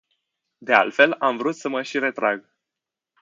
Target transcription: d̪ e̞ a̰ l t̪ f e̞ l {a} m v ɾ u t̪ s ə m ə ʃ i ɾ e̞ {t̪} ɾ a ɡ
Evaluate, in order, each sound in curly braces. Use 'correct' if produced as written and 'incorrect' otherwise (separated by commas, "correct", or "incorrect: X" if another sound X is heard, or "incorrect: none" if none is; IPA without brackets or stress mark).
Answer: correct, correct